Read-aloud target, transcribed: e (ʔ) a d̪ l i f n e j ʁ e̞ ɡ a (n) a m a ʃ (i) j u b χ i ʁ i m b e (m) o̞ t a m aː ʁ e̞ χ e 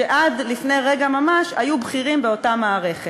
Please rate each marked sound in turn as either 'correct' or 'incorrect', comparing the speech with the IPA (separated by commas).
correct, incorrect, incorrect, incorrect